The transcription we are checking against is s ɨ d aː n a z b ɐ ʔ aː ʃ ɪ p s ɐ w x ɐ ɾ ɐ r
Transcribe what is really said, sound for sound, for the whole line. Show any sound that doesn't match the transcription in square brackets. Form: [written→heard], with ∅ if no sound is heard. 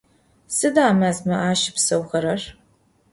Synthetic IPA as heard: s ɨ d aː [n→m] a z [b→m] ɐ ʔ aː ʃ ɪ p s ɐ w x ɐ ɾ ɐ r

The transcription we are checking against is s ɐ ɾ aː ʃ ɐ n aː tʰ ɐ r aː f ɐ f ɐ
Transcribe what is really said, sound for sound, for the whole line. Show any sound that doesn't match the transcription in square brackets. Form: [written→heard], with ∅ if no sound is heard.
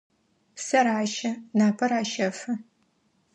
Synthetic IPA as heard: s ɐ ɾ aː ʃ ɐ n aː [tʰ→pʰ] ɐ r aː [f→ʃ] ɐ f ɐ

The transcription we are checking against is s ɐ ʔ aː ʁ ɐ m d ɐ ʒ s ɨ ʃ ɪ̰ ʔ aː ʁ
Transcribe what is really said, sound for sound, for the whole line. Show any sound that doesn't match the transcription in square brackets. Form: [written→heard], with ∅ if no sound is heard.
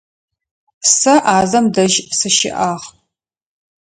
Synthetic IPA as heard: s ɐ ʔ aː [ʁ→z] ɐ m d ɐ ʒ s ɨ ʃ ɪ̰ ʔ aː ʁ

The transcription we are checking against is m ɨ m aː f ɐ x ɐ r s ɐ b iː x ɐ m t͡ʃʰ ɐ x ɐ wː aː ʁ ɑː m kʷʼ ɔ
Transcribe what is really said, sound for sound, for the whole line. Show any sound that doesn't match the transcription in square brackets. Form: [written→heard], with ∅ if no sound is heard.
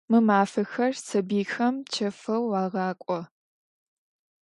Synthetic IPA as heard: m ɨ m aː f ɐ x ɐ r s ɐ b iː x ɐ m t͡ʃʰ ɐ [x→f] ɐ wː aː ʁ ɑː [m→∅] kʷʼ ɔ

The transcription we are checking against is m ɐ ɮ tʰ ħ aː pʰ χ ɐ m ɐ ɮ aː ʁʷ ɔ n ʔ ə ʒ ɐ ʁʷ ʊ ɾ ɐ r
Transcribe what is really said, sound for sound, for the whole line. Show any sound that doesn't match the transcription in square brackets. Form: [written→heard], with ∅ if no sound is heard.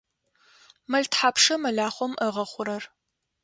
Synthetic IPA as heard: m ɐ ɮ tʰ ħ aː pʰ [χ→ʂ] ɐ m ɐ ɮ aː [ʁʷ→χʷ] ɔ [n→m] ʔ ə [ʒ→ʁ] ɐ [ʁʷ→χʷ] ʊ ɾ ɐ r

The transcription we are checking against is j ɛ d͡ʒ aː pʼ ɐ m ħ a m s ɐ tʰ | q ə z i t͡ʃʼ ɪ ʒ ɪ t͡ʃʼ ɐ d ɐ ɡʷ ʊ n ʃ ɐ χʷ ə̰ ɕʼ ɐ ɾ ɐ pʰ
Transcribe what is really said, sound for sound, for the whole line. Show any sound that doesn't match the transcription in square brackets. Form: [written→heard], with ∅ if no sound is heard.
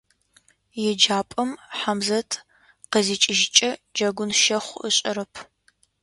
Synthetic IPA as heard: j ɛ d͡ʒ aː pʼ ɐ m ħ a m [s→z] ɐ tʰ | q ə z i t͡ʃʼ ɪ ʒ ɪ t͡ʃʼ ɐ [d→d͡ʒ] ɐ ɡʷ ʊ n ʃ ɐ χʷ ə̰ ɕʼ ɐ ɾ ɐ pʰ

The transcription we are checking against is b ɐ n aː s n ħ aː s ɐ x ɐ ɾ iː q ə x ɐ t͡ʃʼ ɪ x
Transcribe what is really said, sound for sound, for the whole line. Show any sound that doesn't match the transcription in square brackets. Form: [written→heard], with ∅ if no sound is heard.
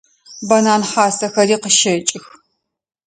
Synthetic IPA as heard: b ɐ n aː [s→∅] n ħ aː s ɐ x ɐ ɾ iː q ə [x→ʃ] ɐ t͡ʃʼ ɪ x

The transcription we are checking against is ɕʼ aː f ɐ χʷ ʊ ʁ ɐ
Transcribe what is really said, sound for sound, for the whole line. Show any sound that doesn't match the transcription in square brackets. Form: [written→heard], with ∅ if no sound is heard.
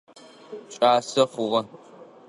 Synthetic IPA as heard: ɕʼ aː [f→s] ɐ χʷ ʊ ʁ ɐ

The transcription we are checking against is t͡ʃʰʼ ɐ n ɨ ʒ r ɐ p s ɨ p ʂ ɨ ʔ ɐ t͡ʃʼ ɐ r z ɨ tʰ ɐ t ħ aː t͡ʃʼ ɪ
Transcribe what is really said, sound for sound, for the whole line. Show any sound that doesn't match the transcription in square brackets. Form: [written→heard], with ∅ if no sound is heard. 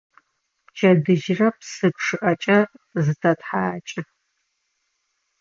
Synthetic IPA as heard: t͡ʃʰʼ ɐ [n→d] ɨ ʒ r ɐ p s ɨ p ʂ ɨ ʔ ɐ t͡ʃʼ ɐ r z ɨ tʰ ɐ t ħ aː t͡ʃʼ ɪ

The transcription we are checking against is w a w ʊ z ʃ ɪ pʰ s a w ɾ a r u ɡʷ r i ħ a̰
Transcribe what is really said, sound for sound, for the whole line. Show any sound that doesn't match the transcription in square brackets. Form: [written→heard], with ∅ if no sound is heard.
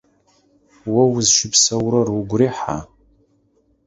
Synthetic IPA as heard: w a w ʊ z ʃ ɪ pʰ s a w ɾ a r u ɡʷ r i ħ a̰

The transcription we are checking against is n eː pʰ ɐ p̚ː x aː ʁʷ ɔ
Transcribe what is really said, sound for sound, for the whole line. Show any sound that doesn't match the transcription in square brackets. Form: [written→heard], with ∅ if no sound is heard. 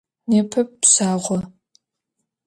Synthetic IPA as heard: n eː pʰ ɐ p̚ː [x→s] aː ʁʷ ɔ

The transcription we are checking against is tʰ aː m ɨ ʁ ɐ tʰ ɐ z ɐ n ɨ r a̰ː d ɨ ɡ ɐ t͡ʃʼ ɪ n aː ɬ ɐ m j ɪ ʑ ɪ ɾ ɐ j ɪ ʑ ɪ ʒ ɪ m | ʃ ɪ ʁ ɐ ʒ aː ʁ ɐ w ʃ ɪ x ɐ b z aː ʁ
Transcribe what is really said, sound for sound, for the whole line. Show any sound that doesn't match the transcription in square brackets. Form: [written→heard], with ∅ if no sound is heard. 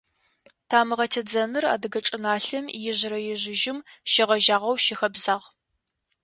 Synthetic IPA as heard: tʰ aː m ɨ ʁ ɐ tʰ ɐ [z→d͡z] ɐ n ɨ r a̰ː d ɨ ɡ ɐ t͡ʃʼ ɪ n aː ɬ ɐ m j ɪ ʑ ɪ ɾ ɐ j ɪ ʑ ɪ ʒ ɪ m | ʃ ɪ ʁ ɐ ʒ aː ʁ ɐ w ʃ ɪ x ɐ b z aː ʁ

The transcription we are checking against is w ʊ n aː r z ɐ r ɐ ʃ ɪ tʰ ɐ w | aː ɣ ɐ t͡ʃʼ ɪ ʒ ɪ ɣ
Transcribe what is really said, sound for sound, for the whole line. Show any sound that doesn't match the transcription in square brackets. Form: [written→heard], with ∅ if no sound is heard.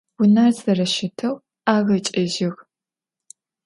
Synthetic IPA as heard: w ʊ n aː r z ɐ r ɐ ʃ ɪ tʰ ɐ w | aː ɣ ɐ t͡ʃʼ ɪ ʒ ɪ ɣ

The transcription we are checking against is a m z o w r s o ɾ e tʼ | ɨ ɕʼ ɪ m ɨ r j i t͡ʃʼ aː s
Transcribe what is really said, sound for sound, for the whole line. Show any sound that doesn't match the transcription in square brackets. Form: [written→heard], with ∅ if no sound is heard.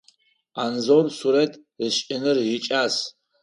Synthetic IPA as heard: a [m→n] z o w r s [o→u] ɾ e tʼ | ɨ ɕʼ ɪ [m→n] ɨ r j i t͡ʃʼ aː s

